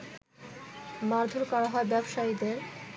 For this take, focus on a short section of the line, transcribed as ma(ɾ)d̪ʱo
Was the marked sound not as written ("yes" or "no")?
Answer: no